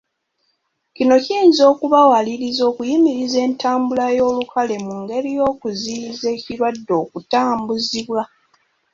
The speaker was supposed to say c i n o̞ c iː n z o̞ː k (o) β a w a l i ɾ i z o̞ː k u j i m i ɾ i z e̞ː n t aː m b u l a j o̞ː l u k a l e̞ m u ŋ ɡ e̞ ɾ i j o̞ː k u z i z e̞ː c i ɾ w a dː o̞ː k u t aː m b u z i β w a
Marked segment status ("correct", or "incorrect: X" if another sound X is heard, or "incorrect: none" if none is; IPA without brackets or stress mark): incorrect: u